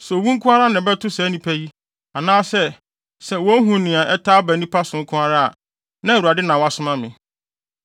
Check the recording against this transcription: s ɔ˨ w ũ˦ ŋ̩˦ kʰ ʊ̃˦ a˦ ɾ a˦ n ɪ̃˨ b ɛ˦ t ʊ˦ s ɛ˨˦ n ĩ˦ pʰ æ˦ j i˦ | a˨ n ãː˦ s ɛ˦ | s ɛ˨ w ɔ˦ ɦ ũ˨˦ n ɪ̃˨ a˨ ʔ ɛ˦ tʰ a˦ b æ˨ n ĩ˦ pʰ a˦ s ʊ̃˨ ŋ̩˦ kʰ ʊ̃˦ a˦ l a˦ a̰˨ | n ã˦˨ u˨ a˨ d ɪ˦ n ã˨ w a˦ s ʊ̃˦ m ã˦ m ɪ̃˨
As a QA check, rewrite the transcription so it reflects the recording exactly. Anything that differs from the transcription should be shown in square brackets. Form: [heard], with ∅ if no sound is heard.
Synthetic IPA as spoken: s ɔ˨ w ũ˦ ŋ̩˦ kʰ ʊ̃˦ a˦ ɾ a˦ n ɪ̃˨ b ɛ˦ t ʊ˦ s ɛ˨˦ n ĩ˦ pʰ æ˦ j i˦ | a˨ n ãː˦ s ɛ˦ | s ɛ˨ w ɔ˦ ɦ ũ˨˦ n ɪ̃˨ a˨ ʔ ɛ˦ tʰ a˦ b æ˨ n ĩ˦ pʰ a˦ s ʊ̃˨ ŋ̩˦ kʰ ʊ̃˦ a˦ [ɾ] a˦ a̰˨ | n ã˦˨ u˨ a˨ d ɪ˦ n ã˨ w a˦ s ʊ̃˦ m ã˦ m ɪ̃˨

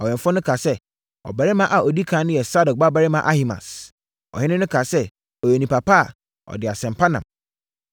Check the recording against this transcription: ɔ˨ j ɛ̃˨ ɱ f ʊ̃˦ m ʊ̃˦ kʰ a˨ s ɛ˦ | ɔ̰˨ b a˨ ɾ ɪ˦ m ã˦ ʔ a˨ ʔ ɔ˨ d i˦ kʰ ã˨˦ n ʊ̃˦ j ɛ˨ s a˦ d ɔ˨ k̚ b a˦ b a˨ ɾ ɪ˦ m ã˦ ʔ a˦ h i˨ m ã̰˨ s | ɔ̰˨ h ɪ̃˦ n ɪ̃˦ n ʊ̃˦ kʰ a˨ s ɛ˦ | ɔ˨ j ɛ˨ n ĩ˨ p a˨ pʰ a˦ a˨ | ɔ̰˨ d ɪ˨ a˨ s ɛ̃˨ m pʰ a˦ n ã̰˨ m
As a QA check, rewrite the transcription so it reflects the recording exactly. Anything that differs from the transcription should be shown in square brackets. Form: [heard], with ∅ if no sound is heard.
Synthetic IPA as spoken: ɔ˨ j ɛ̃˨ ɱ f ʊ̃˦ [n] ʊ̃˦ kʰ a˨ s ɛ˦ | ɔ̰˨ b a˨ ɾ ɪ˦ m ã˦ ʔ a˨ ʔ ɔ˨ d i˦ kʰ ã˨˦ n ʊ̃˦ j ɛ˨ s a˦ d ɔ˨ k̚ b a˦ b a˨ ɾ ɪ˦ m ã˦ ʔ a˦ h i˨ m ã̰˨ s | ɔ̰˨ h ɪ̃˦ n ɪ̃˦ n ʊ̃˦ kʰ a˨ s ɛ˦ | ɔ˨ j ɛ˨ n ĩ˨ p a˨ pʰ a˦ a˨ | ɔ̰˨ d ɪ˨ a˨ s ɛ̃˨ m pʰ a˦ n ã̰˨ m

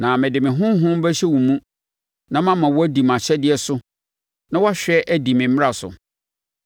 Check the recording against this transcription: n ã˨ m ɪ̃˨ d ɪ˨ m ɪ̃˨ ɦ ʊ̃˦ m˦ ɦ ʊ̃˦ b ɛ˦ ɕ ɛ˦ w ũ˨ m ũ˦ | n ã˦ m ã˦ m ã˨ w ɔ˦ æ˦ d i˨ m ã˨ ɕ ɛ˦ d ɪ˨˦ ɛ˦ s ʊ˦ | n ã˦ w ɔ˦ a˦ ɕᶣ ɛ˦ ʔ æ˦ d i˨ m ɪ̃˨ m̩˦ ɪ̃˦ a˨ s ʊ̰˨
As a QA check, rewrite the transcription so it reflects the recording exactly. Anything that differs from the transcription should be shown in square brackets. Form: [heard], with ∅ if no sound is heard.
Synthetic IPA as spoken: n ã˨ m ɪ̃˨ d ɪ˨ m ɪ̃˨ ɦ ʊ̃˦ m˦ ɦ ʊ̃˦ b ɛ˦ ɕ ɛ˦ w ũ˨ m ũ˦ | n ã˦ m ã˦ m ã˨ w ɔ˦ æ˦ d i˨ m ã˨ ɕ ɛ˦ d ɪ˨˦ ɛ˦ s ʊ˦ | n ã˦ w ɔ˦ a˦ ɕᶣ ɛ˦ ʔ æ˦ d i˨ m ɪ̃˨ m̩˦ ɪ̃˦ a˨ s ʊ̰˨

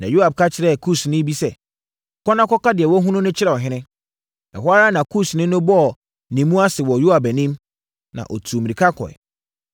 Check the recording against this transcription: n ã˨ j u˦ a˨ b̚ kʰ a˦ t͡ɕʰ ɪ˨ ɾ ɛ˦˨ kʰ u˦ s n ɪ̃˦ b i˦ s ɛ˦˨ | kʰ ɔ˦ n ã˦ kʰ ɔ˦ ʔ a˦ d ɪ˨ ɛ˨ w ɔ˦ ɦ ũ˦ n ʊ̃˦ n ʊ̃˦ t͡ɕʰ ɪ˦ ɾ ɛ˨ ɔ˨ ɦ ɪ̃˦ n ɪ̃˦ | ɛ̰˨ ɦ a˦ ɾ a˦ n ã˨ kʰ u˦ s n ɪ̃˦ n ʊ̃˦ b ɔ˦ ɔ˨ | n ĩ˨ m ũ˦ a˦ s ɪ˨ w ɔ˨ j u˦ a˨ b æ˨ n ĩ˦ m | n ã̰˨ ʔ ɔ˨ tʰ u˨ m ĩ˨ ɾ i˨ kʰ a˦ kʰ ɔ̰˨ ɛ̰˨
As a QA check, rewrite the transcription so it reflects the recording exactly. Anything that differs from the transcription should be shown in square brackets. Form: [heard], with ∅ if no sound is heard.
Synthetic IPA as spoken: n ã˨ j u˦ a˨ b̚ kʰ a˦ t͡ɕʰ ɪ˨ ɾ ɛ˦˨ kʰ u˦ s n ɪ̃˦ b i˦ s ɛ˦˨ | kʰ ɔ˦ n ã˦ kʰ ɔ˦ [k] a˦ d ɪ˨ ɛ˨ w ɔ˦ ɦ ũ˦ n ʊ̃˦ n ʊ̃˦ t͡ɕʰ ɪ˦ ɾ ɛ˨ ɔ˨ ɦ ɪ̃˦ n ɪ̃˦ | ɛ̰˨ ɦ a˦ ɾ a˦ n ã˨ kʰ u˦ s n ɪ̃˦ n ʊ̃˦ b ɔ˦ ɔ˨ | n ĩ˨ m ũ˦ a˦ s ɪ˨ w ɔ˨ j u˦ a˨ b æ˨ n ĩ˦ m | n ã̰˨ ʔ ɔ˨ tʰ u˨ m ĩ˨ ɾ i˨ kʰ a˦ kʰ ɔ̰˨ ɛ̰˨

